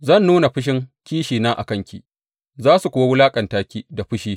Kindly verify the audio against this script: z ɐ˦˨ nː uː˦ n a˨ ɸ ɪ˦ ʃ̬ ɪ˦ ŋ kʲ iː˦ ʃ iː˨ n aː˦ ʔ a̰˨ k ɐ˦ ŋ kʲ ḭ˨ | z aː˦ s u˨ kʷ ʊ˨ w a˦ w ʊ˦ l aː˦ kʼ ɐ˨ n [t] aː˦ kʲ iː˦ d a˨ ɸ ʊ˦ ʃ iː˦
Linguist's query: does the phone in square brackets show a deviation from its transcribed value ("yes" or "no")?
no